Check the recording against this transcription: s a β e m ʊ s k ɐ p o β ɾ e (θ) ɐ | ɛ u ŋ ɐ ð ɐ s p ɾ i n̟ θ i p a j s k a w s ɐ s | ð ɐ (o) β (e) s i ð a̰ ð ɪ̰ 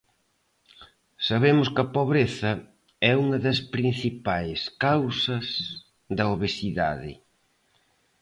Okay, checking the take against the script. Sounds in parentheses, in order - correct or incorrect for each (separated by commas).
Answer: correct, correct, correct